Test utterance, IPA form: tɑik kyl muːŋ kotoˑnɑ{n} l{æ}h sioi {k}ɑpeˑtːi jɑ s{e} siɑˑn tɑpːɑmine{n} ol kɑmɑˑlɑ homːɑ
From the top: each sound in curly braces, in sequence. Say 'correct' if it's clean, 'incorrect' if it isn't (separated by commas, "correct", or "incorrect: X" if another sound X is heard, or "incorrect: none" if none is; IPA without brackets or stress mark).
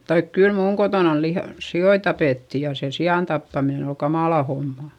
correct, incorrect: i, incorrect: t, correct, correct